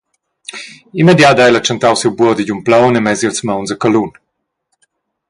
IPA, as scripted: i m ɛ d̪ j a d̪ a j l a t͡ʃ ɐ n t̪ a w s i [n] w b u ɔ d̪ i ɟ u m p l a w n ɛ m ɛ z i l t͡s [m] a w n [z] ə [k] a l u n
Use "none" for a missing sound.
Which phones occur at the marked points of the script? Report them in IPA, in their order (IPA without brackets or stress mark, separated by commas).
none, m, z, k